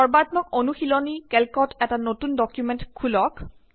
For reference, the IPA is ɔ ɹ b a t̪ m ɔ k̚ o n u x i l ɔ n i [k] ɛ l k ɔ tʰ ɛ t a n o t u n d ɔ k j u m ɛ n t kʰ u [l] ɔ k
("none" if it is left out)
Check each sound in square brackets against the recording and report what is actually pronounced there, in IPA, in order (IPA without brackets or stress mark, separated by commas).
k, l